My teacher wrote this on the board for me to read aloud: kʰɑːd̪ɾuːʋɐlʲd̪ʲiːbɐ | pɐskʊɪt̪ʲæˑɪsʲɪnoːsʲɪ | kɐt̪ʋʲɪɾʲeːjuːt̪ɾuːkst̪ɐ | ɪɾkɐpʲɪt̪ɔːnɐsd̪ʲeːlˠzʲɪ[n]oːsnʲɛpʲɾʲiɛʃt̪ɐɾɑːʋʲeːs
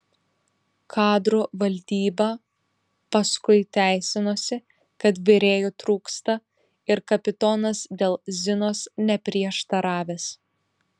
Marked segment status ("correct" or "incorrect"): correct